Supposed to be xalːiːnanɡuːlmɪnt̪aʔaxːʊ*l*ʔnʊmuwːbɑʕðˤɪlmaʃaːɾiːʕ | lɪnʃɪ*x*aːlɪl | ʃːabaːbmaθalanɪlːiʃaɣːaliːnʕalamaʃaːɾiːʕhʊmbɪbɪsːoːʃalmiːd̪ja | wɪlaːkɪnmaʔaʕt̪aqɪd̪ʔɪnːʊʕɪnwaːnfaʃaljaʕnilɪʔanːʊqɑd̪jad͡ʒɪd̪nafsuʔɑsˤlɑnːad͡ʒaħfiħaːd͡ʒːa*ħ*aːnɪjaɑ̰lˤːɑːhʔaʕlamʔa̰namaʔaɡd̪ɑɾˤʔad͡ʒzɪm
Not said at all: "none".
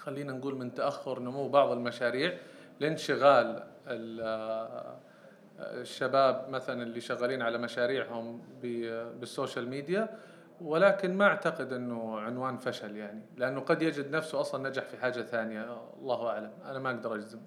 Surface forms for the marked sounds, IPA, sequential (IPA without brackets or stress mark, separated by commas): ɾ, ɣ, θ